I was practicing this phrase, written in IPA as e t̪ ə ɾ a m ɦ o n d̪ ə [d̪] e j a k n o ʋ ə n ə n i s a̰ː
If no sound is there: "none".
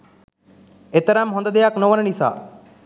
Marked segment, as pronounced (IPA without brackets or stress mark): d̪